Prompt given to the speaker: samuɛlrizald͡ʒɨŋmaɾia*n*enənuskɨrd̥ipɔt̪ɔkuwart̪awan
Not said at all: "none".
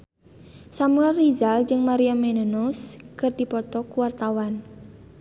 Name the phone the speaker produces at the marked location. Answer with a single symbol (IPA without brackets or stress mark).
m